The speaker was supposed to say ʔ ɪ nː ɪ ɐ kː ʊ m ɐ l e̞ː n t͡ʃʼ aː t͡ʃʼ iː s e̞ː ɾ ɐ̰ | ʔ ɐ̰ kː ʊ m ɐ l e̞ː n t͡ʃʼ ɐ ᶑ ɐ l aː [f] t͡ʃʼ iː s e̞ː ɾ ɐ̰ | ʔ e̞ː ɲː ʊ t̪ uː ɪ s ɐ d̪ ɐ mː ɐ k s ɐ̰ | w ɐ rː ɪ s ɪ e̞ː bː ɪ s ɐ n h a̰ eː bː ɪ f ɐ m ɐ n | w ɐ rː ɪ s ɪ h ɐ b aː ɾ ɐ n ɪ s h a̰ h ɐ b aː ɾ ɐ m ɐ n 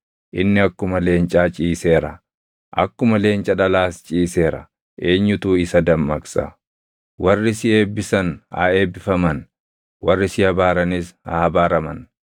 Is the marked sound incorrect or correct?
incorrect